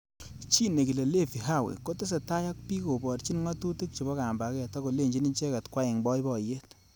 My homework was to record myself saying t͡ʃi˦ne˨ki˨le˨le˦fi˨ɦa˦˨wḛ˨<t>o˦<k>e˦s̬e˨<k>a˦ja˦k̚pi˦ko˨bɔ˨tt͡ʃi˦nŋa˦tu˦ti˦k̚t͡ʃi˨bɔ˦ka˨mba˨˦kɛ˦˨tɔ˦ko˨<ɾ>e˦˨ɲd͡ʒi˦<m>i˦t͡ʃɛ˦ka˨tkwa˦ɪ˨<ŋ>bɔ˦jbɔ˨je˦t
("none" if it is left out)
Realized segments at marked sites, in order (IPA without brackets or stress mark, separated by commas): k, t, t, l, n, ŋ